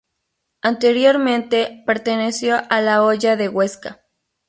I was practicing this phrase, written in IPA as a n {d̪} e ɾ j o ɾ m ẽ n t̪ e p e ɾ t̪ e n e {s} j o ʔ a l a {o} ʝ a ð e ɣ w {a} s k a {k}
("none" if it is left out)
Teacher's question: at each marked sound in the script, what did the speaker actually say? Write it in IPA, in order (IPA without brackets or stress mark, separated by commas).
t̪, s, o, e, none